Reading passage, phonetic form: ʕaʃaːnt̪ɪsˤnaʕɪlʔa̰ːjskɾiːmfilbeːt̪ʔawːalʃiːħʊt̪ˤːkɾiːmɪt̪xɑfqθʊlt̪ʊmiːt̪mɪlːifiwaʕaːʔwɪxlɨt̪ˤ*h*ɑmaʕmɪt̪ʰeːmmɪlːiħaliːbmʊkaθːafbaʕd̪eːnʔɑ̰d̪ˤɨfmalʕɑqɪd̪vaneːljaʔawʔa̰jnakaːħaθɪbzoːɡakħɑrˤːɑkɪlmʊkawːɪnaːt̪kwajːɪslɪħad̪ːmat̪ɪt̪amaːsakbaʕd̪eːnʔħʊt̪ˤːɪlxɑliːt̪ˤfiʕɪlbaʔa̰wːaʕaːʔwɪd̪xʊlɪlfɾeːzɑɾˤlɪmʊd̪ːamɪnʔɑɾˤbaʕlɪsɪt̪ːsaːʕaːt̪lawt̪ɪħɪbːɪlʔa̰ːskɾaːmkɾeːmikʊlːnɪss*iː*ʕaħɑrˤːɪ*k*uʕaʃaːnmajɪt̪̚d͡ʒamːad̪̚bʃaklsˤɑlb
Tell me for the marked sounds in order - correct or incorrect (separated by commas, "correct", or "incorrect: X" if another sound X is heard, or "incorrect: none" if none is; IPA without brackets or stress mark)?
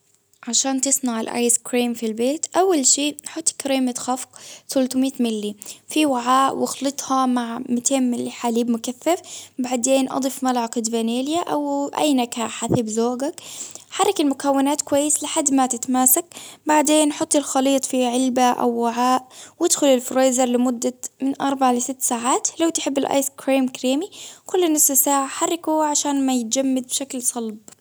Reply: correct, incorrect: aː, correct